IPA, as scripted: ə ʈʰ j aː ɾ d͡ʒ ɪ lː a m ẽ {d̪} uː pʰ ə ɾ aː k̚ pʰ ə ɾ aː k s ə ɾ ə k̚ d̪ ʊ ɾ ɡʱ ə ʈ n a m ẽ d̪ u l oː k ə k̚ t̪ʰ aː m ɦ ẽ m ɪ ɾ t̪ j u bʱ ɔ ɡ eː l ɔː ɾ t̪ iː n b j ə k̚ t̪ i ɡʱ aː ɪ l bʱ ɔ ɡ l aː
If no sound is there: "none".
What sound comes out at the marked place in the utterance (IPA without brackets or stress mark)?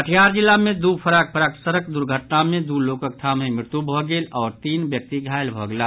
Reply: d̪